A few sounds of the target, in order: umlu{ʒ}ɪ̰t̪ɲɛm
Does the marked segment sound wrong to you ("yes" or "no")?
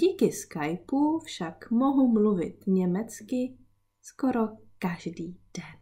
yes